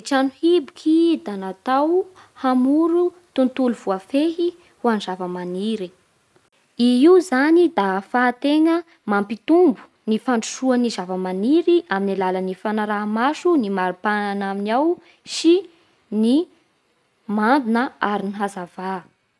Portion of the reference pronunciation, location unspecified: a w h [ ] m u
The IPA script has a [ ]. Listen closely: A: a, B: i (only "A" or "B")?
A